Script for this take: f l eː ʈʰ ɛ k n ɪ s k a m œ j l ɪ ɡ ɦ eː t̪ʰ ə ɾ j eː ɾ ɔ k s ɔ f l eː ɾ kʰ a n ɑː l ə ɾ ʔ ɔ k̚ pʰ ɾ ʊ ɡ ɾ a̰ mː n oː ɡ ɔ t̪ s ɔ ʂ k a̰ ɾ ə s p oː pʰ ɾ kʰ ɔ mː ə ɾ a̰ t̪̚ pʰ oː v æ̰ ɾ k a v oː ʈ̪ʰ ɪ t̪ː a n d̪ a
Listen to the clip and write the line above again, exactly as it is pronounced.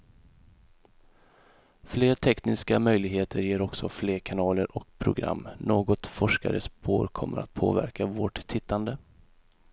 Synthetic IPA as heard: f l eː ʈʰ ɛ k n ɪ s k a m œ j l ɪ ɡ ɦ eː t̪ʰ ə ɾ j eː ɾ ɔ k s ɔ f l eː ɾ kʰ a n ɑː l ə ɾ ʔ ɔ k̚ pʰ ɾ ʊ ɡ ɾ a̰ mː n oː ɡ ɔ t̪ f ɔ ʂ k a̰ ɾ ə s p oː ɾ kʰ ɔ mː ə ɾ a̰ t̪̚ pʰ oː v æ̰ ɾ k a v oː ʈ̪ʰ ɪ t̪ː a n d̪ ə